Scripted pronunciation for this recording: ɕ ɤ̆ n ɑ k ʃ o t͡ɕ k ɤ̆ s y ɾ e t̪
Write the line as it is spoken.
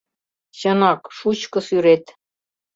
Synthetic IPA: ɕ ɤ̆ n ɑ k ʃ u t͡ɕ k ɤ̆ s y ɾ e t̪